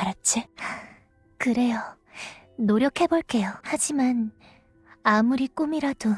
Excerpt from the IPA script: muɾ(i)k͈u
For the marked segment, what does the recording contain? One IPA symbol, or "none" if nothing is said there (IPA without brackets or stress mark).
i